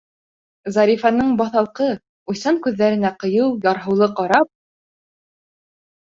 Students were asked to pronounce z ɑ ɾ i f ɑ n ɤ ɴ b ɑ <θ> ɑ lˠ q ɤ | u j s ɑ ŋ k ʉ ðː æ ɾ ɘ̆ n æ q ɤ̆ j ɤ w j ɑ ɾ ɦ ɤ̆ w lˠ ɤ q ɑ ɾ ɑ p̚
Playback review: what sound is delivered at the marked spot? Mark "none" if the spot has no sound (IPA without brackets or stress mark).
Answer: θ